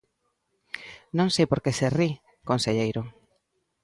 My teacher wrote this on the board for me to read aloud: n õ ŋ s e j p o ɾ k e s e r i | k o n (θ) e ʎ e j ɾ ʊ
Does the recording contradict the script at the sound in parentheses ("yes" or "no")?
yes